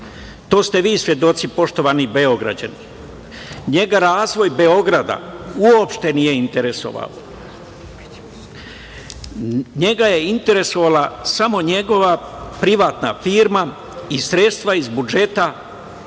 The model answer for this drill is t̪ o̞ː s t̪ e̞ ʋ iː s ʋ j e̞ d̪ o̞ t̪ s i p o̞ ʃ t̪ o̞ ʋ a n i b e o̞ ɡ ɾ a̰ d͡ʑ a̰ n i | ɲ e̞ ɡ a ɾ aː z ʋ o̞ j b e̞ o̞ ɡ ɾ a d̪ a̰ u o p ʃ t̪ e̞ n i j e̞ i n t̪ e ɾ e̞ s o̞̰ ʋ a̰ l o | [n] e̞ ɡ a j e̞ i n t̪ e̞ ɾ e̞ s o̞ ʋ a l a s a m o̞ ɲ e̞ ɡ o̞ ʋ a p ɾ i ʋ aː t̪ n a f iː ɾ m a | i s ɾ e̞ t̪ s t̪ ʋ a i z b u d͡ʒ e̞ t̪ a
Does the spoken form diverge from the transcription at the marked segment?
yes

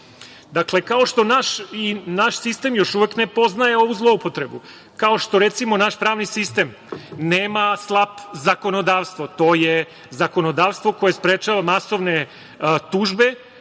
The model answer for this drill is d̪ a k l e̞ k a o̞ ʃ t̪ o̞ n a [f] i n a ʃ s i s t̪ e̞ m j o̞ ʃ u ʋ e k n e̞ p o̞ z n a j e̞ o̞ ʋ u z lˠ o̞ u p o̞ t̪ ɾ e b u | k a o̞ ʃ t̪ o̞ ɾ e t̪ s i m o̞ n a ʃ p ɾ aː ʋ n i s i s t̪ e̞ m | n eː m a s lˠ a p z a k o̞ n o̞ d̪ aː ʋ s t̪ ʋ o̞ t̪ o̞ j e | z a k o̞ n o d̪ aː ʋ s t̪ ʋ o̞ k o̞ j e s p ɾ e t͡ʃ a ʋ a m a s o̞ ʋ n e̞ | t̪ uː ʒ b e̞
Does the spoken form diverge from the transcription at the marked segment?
yes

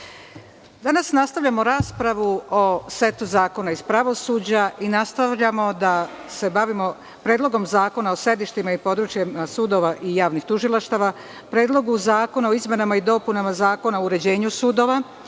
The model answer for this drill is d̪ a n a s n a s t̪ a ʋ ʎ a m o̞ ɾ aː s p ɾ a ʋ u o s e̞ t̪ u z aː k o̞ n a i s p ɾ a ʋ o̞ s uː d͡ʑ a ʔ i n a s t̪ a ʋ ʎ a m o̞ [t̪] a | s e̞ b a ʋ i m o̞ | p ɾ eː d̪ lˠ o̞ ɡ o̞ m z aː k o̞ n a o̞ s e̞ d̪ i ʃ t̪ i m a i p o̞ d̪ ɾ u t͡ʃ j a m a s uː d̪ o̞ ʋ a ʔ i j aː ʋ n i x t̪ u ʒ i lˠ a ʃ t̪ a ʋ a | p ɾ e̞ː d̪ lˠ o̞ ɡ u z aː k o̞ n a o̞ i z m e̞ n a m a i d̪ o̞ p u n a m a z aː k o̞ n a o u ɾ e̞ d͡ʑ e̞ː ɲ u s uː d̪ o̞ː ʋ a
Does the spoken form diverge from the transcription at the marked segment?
yes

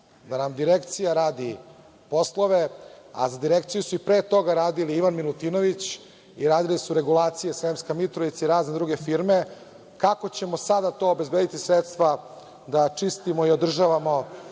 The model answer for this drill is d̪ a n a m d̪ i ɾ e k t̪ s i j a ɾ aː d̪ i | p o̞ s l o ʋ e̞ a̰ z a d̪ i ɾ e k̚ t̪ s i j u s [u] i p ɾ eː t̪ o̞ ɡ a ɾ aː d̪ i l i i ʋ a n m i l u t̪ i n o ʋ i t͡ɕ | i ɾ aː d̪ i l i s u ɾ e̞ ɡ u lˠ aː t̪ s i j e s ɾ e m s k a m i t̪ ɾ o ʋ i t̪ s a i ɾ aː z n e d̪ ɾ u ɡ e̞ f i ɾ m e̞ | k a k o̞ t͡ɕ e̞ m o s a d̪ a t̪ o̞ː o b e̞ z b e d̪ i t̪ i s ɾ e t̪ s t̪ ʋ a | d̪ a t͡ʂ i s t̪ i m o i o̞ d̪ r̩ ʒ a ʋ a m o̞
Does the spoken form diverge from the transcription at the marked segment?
no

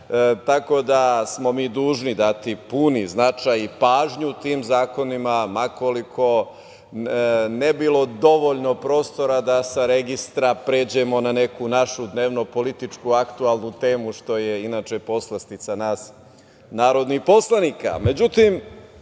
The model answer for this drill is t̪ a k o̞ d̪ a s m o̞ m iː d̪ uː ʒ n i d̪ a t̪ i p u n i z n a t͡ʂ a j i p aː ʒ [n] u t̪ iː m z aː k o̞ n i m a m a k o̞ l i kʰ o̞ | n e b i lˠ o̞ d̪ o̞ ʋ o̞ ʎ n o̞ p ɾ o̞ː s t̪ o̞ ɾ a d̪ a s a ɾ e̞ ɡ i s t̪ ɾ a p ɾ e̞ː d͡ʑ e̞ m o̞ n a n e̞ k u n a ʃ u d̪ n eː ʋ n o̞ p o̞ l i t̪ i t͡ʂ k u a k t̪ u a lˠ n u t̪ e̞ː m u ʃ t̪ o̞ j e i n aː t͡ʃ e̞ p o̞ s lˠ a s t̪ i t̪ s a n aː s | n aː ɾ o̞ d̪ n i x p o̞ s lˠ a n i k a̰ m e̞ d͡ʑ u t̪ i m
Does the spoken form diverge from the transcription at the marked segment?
yes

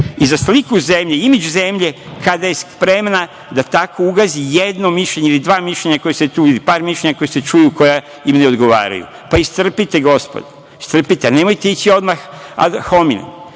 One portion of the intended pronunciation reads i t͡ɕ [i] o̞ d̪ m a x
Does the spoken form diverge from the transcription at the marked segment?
no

